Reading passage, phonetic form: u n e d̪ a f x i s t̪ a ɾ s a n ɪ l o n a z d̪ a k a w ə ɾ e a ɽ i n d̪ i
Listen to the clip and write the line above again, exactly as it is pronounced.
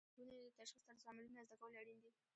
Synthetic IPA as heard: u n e t̪ a ʃ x i s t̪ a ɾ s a m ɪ l u n a z d̪ a k a w ə l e a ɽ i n d̪ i

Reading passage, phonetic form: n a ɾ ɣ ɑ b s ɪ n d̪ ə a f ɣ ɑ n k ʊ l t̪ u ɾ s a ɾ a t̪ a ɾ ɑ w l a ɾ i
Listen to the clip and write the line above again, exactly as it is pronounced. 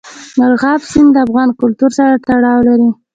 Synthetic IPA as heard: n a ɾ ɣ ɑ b s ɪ n d̪ ə a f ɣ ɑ n k ʊ l t̪ u ɾ s a ɾ a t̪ a ɽ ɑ w l a ɾ i

